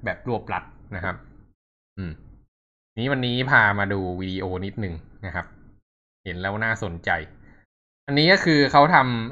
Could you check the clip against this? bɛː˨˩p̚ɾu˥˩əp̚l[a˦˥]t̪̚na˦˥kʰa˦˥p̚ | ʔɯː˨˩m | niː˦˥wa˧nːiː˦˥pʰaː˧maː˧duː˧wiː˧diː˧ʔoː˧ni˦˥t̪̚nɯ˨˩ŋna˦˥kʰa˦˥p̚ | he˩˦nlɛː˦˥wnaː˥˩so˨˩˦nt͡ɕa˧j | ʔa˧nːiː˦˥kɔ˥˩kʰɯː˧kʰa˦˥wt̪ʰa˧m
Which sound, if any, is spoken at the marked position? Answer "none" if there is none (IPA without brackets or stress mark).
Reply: a˦˥